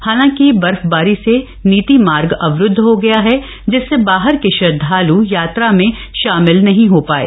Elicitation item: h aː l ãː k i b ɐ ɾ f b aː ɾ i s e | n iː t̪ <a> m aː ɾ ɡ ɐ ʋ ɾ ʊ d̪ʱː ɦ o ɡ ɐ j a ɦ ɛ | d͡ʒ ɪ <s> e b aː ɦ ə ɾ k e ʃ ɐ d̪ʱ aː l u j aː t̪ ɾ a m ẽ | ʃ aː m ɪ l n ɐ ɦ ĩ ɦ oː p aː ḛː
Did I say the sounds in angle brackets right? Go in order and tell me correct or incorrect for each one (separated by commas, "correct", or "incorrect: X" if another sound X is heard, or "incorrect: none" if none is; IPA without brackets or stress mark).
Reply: incorrect: i, incorrect: sː